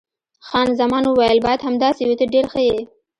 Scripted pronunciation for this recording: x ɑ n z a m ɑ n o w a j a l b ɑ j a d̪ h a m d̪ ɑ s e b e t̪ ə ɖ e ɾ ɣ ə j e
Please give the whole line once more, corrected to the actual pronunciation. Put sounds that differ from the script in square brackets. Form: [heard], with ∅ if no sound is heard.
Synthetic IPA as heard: x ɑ n z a m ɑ n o w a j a l b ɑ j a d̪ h a m d̪ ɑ s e [w] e t̪ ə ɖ e ɾ [x] ə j e